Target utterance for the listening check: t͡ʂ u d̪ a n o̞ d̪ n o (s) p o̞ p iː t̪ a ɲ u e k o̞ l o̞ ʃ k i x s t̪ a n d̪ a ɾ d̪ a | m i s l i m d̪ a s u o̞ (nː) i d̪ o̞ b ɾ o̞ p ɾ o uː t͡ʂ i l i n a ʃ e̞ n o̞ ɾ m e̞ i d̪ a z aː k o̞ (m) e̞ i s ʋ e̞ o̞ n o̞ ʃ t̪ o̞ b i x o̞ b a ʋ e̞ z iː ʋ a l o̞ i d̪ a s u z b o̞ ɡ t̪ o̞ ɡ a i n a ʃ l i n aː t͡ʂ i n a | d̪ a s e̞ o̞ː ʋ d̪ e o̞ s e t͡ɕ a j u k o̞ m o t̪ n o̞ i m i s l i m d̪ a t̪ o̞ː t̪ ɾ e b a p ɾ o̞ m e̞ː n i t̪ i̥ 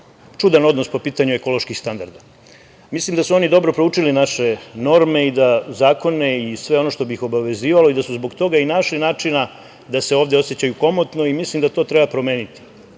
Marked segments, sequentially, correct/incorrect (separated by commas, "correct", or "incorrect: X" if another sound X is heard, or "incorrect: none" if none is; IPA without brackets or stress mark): correct, incorrect: n, incorrect: n